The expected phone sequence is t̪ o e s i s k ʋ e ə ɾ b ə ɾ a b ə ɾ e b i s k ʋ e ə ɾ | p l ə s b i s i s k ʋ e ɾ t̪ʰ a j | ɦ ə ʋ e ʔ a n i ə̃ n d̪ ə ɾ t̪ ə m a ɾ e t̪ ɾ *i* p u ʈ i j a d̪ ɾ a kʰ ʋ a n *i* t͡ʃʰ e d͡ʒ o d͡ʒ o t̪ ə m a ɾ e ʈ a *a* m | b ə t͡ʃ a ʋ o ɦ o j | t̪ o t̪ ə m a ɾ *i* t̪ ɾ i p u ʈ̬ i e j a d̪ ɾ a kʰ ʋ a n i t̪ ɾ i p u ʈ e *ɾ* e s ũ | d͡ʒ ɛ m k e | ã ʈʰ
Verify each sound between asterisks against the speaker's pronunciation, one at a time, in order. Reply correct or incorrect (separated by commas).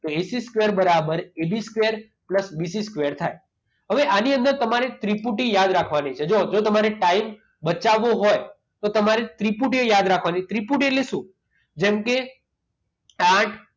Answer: correct, correct, incorrect, incorrect, incorrect